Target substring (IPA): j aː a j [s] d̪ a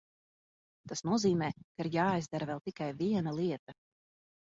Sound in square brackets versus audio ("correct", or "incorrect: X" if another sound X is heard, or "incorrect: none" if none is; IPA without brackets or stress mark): incorrect: z